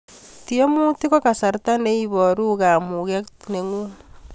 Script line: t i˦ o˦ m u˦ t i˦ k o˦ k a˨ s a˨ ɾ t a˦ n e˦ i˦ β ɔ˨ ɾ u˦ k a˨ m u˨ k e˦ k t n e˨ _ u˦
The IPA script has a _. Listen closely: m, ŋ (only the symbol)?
ŋ